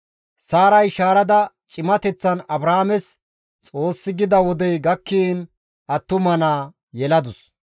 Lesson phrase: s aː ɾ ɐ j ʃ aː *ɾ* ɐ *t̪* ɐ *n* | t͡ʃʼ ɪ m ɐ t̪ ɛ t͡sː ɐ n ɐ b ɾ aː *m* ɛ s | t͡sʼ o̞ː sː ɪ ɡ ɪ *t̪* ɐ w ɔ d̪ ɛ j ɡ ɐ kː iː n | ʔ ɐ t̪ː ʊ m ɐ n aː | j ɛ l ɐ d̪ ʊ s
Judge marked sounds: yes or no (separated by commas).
yes, no, no, yes, no